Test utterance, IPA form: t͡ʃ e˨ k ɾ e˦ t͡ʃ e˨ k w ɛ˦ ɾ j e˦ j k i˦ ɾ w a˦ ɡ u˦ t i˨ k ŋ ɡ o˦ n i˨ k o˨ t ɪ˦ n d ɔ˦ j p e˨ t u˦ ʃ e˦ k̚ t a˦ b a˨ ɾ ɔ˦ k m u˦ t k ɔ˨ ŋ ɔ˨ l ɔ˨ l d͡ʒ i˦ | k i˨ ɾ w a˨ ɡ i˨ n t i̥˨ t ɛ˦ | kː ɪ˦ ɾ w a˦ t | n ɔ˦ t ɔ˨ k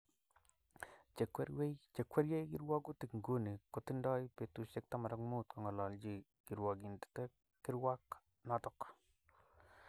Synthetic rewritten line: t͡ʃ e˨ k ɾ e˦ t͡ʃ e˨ k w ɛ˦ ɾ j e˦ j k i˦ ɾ w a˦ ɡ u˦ t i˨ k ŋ ɡ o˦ n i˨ k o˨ t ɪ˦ n d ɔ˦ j p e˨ t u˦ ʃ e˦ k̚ t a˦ m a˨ ɾ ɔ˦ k m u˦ t k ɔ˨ ŋ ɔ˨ l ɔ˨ l d͡ʒ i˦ | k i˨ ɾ w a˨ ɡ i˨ n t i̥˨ t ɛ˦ | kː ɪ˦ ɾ w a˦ k | n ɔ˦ t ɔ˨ k